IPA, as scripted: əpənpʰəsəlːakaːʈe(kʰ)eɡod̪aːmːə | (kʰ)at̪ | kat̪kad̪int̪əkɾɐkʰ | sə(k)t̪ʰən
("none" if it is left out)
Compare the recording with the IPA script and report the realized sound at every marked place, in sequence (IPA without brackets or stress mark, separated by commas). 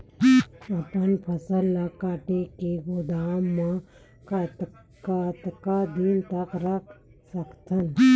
k, k, k